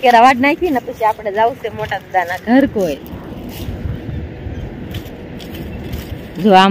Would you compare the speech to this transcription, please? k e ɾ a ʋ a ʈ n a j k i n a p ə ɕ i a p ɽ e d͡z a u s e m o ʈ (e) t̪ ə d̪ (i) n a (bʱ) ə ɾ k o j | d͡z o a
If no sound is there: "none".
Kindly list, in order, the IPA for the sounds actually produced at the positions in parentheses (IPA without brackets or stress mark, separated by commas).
a, a, ɡʱ